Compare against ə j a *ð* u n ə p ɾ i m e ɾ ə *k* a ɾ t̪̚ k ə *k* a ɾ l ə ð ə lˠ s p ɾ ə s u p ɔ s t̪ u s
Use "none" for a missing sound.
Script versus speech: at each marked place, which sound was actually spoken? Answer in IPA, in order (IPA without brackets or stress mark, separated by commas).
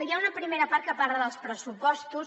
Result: none, p, p